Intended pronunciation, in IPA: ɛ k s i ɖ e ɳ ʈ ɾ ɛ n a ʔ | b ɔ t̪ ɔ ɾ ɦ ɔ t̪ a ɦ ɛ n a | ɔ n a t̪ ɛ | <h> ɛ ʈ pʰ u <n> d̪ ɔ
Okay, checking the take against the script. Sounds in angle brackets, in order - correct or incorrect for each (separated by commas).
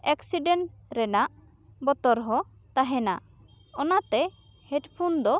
correct, correct